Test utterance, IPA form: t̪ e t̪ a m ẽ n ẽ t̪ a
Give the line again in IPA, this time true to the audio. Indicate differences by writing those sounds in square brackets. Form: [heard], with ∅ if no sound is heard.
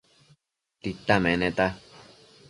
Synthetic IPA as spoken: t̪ [i] t̪ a m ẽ n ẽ t̪ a